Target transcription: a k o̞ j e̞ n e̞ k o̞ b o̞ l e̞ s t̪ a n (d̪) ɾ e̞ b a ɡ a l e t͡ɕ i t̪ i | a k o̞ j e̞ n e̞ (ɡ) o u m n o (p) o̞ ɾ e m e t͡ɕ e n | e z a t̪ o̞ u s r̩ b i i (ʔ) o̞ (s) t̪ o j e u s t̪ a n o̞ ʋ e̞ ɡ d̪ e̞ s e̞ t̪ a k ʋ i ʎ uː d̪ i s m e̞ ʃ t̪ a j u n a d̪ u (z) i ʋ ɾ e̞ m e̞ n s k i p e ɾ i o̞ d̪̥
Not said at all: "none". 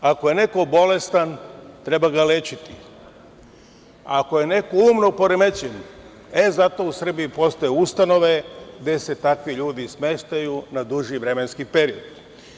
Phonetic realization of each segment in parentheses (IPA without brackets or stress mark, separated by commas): t̪, k, p, p, s, ʒ